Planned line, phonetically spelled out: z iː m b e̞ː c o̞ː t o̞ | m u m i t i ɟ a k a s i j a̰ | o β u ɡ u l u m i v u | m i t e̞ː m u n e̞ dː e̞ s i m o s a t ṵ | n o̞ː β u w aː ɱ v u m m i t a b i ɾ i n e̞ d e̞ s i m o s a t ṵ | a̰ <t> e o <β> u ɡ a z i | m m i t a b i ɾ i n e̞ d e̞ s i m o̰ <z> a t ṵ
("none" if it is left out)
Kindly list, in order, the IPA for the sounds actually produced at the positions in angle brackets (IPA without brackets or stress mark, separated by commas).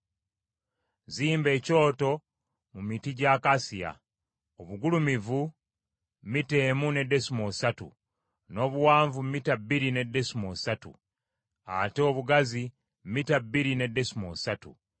t, β, s